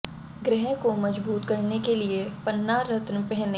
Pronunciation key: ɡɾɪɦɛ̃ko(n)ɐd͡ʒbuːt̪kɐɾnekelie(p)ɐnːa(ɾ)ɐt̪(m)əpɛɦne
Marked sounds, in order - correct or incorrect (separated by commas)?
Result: incorrect, correct, correct, incorrect